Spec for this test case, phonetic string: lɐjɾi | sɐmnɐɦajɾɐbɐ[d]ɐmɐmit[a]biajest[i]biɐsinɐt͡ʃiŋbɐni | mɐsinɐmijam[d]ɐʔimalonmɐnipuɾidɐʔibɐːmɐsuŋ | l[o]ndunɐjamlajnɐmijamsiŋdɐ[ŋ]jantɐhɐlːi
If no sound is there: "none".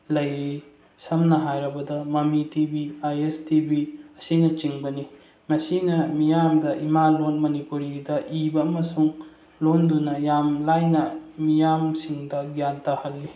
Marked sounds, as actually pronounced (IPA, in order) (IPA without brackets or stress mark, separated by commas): d, i, i, d, o, ɡ